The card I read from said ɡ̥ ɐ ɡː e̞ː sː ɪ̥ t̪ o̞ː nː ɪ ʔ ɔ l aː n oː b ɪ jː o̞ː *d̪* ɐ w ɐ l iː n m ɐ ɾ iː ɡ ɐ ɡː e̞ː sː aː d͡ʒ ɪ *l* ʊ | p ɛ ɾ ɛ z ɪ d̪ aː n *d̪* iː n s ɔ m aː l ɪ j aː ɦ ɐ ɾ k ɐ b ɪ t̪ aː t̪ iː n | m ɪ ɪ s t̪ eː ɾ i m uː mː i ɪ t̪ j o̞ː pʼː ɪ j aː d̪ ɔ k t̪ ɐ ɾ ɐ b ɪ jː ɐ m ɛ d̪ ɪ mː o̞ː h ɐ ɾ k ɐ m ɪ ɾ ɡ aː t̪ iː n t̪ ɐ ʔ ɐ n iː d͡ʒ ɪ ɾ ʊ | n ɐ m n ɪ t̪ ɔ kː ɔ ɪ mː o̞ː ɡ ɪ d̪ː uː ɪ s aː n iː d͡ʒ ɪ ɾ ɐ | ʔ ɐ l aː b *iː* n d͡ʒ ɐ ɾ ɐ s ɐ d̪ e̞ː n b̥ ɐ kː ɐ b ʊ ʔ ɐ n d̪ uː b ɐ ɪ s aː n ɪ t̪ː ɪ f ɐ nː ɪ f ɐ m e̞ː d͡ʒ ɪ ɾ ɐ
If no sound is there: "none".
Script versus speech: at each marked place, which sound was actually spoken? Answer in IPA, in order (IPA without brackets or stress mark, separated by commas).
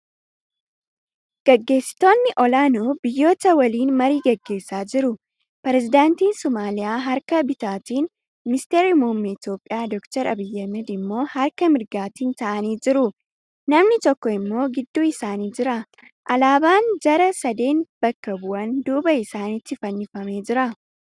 t̪, ɾ, t̪, aː